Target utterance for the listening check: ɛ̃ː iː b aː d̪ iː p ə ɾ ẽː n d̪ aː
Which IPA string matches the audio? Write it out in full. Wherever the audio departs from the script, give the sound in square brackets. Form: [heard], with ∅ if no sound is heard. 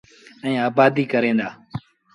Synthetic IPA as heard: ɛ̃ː [aː] b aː d̪ iː [k] ə ɾ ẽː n d̪ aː